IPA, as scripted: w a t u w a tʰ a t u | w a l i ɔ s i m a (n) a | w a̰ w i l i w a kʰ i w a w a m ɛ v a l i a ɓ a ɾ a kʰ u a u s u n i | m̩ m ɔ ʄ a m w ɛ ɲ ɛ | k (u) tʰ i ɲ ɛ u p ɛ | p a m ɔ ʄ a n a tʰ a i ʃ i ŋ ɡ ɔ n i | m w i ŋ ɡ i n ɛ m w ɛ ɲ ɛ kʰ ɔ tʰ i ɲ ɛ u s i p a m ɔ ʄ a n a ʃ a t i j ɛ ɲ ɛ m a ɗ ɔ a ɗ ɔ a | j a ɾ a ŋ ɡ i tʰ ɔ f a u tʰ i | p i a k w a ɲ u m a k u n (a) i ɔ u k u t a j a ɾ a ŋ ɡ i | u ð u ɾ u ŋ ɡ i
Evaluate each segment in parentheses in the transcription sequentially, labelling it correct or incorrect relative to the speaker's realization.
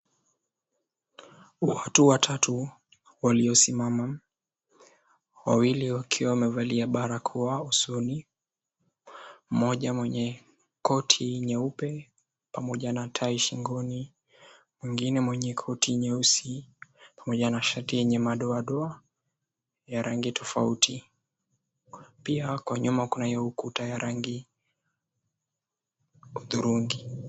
incorrect, incorrect, correct

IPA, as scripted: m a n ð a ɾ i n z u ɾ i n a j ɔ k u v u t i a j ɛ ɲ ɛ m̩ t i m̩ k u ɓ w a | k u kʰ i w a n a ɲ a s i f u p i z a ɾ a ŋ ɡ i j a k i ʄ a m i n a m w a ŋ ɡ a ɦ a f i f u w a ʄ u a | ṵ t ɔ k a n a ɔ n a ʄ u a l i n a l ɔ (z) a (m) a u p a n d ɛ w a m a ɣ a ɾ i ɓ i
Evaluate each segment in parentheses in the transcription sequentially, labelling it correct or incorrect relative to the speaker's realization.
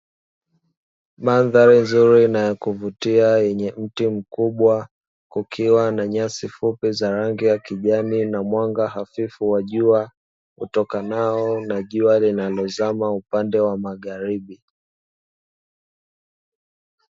correct, correct

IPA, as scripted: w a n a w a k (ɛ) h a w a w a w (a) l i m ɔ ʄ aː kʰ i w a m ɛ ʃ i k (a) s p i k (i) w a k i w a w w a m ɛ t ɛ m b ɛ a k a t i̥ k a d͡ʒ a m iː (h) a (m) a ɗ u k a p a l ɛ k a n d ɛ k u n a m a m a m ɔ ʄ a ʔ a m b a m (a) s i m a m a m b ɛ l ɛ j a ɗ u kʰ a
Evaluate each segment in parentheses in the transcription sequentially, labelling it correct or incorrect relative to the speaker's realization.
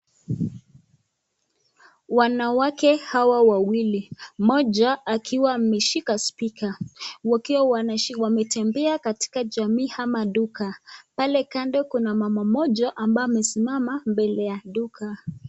correct, incorrect, correct, incorrect, correct, correct, incorrect

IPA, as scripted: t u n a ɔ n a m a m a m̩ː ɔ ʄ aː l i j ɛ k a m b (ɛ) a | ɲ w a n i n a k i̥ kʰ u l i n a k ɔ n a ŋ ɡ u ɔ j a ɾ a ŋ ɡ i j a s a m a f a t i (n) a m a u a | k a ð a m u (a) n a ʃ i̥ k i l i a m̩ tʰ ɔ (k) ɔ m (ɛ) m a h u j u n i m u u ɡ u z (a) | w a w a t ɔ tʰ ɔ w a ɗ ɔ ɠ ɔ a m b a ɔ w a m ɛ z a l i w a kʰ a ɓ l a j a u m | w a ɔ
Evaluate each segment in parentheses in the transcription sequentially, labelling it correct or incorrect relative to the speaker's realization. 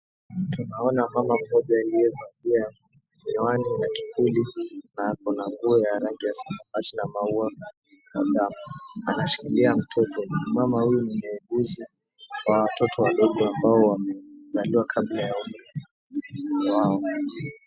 incorrect, correct, correct, incorrect, incorrect, incorrect

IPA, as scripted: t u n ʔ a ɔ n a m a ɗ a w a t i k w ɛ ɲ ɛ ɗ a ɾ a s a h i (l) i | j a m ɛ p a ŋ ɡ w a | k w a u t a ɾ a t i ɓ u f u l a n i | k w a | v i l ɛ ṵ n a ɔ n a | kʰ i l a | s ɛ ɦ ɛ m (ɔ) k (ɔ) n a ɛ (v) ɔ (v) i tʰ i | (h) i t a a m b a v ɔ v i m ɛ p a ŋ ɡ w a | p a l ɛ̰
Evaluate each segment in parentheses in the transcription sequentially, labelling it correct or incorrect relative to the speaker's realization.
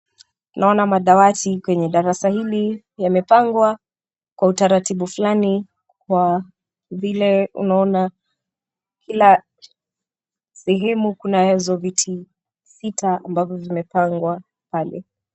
correct, incorrect, incorrect, incorrect, correct, incorrect

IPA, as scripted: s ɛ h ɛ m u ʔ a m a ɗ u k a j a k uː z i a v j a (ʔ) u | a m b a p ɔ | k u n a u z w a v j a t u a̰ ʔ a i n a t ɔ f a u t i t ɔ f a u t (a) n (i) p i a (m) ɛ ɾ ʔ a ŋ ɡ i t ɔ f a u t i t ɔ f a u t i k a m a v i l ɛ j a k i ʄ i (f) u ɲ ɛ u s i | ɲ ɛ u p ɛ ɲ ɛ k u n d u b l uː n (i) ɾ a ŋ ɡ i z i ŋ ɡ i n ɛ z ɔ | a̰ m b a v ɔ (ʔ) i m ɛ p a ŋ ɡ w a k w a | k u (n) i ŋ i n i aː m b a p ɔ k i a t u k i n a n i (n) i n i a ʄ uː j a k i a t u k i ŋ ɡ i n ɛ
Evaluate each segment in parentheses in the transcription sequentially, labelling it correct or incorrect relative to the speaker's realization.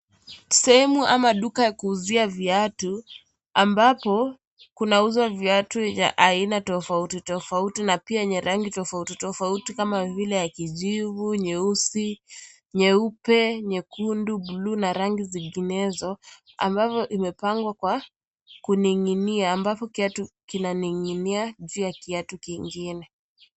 incorrect, incorrect, incorrect, incorrect, incorrect, incorrect, correct, correct, incorrect

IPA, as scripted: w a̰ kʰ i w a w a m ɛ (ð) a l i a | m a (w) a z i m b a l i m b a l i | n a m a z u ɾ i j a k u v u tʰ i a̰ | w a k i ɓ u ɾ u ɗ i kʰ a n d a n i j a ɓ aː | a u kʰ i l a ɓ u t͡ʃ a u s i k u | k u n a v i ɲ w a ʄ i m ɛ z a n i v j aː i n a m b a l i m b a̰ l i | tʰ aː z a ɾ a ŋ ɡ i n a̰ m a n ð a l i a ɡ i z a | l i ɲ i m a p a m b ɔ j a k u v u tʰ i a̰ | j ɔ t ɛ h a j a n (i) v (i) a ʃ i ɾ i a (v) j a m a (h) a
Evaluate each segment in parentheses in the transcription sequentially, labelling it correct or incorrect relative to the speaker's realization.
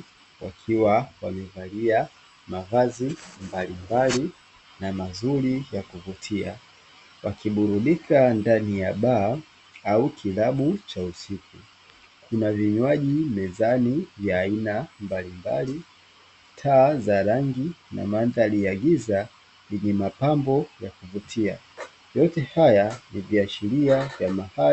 incorrect, incorrect, correct, correct, correct, correct

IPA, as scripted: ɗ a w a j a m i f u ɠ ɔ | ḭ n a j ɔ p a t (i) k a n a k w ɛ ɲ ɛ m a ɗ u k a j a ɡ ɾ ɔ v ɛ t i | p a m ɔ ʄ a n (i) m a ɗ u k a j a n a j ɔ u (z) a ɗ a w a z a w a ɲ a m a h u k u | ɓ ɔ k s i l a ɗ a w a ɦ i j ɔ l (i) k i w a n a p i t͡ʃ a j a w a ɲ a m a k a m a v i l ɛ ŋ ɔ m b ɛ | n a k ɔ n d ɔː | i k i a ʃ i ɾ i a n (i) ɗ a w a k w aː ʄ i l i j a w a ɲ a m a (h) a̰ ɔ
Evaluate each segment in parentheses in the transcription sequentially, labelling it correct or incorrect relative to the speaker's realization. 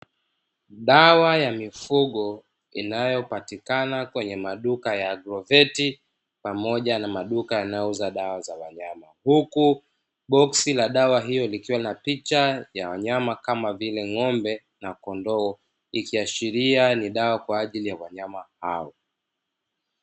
correct, incorrect, correct, correct, correct, correct

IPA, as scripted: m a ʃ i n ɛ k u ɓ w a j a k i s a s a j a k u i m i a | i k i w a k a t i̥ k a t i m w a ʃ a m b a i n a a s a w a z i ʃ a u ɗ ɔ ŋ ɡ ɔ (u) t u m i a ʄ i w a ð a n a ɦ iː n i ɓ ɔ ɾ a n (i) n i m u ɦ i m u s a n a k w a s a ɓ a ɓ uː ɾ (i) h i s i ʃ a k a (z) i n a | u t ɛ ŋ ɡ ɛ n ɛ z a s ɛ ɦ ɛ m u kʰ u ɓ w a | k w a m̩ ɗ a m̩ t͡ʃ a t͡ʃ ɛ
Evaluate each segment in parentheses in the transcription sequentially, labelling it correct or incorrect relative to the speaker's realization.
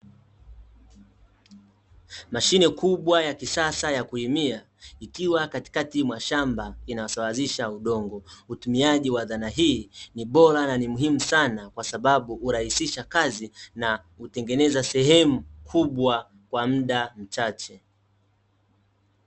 correct, incorrect, incorrect, correct

